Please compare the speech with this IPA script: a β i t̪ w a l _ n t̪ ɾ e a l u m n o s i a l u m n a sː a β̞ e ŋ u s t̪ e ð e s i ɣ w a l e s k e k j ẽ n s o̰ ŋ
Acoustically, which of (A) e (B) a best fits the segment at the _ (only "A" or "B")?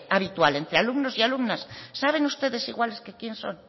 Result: A